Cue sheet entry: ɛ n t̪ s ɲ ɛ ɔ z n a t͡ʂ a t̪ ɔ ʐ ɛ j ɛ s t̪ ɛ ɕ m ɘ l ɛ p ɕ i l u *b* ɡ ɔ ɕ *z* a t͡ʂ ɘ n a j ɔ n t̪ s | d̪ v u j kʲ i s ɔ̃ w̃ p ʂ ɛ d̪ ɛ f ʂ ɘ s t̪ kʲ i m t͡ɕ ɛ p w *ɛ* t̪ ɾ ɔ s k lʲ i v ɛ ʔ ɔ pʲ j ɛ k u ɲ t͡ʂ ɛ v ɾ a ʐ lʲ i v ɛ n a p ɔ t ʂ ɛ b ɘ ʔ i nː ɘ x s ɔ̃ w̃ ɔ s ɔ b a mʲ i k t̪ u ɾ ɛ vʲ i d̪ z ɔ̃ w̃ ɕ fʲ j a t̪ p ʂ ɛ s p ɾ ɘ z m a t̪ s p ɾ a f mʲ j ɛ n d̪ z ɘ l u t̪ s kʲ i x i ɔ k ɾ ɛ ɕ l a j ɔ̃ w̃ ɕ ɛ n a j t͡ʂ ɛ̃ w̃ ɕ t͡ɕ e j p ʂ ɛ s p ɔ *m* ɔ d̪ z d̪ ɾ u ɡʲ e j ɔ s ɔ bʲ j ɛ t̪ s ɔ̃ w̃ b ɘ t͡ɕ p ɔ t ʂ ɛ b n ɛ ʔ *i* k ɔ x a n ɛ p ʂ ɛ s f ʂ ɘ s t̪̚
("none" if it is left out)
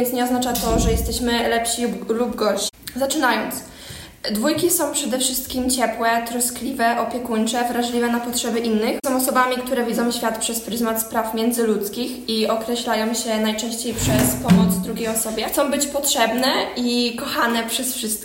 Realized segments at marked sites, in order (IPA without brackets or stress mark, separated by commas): b, z, ɛ, m, i